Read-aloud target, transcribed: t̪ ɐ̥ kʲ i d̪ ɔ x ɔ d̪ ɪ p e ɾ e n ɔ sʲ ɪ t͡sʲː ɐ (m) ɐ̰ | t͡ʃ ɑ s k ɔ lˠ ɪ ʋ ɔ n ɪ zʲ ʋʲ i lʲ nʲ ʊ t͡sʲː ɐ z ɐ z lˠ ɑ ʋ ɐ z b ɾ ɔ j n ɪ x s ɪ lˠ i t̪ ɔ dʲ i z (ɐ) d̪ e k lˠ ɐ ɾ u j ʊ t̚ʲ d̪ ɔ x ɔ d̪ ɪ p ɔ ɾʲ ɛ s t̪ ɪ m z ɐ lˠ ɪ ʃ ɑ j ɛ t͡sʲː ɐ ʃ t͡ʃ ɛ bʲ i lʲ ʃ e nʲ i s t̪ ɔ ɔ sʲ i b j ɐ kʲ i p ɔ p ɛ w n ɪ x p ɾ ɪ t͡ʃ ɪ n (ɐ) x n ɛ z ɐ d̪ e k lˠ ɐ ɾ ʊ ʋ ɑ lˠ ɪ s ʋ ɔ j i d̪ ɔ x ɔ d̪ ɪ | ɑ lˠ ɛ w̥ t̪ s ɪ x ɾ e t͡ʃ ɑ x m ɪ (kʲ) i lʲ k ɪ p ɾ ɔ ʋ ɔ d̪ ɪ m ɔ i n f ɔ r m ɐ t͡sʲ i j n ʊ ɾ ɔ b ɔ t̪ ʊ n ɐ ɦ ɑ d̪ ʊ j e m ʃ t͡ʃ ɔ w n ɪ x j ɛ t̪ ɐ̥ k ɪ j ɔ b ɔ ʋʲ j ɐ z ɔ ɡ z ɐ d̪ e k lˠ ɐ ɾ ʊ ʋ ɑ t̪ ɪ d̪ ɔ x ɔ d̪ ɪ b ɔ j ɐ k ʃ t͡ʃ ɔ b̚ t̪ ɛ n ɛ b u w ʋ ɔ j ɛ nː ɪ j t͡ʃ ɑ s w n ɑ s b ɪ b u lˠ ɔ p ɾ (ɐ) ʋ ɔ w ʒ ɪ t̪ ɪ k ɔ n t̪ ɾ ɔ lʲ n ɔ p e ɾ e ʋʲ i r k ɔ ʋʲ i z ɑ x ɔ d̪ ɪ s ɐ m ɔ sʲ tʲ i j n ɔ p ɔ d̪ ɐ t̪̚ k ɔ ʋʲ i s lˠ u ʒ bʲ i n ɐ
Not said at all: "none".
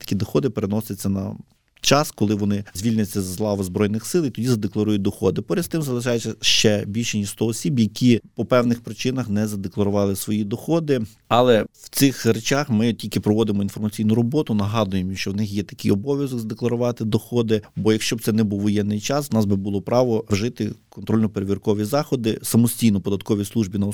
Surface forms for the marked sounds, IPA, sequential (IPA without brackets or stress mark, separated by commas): n, ɐ, ɐ, tʲ, ɑ